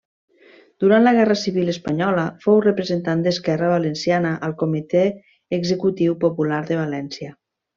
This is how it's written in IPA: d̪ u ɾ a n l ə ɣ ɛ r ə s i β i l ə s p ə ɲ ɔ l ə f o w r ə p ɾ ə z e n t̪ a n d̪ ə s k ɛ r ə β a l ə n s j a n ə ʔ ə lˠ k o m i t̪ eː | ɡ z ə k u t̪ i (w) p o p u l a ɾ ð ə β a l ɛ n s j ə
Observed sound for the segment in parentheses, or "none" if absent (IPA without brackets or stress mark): w